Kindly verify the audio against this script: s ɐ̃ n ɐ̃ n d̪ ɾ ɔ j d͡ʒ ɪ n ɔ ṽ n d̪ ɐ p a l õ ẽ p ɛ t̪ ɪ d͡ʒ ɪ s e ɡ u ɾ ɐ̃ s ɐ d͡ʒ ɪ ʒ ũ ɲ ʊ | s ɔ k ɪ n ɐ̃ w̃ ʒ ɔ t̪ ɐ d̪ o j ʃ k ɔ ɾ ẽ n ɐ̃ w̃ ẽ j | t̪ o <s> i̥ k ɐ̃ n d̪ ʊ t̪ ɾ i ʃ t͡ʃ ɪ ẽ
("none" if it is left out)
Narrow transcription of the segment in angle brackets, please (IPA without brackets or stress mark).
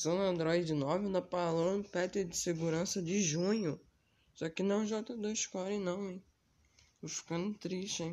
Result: f